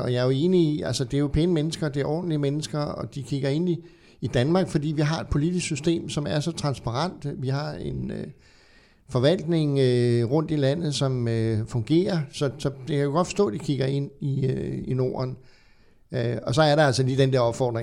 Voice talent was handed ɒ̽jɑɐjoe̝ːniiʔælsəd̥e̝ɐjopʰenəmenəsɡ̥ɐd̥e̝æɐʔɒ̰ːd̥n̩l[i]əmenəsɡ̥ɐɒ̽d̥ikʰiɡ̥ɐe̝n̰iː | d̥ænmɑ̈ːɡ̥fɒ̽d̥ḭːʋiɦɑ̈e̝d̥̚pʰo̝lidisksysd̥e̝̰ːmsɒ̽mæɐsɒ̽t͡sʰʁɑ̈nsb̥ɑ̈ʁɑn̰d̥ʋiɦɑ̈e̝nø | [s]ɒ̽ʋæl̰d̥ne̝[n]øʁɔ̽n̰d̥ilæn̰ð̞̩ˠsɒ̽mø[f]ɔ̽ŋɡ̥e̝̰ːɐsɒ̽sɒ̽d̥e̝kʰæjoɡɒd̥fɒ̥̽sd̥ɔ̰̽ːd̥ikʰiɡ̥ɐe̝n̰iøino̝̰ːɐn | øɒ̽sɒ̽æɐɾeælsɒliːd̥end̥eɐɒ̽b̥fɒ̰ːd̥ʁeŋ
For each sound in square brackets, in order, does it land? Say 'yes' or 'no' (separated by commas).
yes, no, no, yes